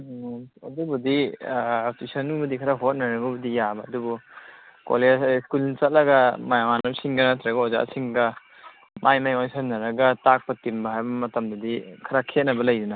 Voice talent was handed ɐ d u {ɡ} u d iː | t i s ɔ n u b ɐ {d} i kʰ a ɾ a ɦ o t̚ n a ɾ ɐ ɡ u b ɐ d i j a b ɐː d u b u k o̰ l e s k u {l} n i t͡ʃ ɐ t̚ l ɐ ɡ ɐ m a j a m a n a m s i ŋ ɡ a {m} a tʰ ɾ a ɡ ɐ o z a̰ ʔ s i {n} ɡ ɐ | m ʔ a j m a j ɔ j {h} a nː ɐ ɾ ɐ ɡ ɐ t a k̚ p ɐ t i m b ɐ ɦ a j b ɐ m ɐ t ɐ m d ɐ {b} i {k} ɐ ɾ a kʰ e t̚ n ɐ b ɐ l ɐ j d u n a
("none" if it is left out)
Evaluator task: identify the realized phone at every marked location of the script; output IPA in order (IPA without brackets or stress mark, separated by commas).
b, d, l, n, ŋ, s, d, kʰ